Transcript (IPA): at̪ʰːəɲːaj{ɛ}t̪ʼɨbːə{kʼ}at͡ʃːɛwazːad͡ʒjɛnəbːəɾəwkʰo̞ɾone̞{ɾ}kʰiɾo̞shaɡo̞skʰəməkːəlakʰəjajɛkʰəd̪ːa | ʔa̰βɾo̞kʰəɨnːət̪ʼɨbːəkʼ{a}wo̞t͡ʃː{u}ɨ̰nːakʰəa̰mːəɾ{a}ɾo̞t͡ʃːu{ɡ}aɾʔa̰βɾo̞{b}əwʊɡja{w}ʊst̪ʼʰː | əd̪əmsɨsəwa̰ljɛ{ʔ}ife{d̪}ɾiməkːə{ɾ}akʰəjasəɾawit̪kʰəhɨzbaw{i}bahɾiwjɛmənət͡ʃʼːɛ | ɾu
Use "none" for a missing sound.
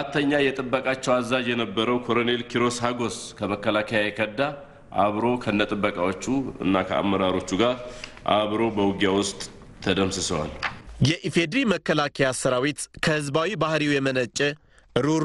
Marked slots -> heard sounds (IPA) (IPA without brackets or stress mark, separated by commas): ɛ, kʼ, l, a, u, a, ɡ, b, w, ʔ, d̪, l, i